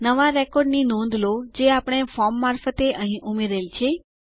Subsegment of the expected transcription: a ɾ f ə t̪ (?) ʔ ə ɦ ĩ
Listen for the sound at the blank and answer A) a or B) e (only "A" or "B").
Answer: B